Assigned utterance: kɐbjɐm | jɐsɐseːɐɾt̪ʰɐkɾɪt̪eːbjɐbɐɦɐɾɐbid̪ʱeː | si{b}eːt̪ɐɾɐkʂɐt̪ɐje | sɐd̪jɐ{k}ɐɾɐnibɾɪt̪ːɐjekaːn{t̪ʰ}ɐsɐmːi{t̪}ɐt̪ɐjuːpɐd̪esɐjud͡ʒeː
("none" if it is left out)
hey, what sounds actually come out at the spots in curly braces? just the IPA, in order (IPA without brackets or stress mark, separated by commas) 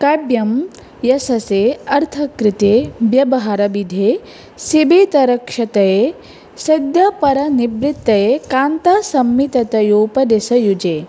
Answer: b, p, t̪, t̪